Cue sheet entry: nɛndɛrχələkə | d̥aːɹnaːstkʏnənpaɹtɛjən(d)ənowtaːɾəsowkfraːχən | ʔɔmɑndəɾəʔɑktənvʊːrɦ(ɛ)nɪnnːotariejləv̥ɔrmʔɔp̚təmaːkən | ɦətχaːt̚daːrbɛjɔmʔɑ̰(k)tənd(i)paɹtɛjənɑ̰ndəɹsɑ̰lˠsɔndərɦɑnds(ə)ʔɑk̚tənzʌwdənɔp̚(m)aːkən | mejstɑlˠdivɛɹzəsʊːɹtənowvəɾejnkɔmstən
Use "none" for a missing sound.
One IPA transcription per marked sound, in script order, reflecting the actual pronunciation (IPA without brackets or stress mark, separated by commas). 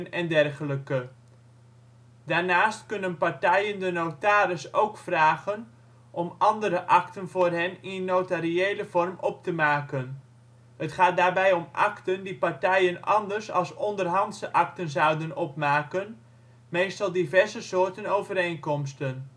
d, ɛ, k, i, ə, m